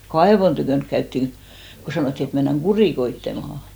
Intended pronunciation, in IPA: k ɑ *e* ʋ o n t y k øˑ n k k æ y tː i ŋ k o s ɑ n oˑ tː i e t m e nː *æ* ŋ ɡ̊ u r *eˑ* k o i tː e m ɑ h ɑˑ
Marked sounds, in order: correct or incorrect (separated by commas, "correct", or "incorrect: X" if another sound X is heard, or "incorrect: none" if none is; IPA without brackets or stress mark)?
correct, correct, incorrect: iˑ